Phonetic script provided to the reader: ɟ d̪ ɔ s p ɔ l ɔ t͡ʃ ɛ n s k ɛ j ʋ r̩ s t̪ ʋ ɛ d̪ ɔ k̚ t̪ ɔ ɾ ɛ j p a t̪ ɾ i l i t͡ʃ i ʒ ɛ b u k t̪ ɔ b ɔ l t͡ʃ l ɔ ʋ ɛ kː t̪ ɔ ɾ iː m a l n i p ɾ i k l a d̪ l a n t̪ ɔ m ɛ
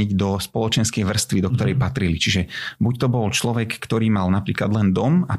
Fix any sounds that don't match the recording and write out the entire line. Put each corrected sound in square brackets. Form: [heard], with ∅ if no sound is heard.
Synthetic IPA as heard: ɟ d̪ ɔ s p ɔ l ɔ t͡ʃ ɛ n s k ɛ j ʋ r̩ s t̪ ʋ [i] d̪ ɔ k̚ t̪ ɔ ɾ ɛ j p a t̪ ɾ i l i t͡ʃ i ʒ ɛ b u [c] t̪ ɔ b ɔ l t͡ʃ l ɔ ʋ ɛ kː t̪ ɔ ɾ iː m a l n [a] p ɾ [iː] k l a d̪ l [ɛ] n [d̪] ɔ m [a]